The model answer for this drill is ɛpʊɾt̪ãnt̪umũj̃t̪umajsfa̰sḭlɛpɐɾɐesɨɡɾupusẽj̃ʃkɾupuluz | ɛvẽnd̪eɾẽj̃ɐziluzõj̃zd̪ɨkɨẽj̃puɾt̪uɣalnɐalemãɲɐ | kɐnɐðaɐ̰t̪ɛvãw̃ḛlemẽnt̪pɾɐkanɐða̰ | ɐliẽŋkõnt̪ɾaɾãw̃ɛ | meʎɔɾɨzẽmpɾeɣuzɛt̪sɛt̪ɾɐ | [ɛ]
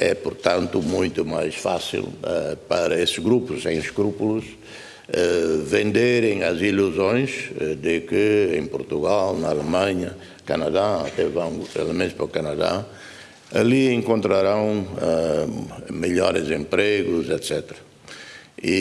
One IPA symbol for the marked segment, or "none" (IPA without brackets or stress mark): i